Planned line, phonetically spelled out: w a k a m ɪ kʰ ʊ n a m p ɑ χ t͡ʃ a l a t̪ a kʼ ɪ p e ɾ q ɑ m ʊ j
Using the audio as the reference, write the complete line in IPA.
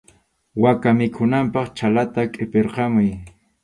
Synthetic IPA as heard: w a k a m ɪ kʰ ʊ n a m p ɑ χ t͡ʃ a l a t̪ a kʼ ɪ p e ɾ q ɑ m ʊ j